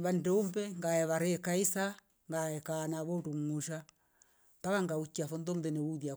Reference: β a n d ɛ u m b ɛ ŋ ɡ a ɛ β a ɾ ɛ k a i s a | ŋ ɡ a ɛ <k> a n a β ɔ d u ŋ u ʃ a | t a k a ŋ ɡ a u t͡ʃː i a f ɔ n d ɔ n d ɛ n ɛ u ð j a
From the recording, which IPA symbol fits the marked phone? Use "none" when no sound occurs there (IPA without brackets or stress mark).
k